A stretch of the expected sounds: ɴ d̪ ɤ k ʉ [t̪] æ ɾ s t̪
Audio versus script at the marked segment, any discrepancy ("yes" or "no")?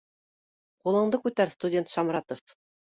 no